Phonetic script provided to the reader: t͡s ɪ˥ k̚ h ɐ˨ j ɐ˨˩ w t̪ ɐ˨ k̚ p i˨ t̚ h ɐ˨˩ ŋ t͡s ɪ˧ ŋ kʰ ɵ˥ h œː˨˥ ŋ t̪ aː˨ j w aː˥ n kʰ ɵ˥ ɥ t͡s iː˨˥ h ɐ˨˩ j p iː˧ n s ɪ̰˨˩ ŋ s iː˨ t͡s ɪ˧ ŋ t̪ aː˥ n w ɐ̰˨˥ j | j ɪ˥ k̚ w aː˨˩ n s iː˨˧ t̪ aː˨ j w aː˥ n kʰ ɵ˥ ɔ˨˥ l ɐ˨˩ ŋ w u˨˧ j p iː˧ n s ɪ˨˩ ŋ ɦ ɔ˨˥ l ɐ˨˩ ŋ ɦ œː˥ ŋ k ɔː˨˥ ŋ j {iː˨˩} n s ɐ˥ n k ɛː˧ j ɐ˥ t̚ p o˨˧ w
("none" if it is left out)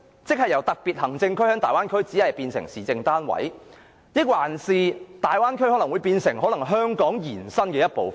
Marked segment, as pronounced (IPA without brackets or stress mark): iː˨˩